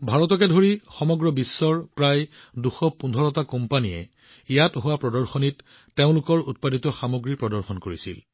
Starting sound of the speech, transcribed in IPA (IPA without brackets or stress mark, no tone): bʱ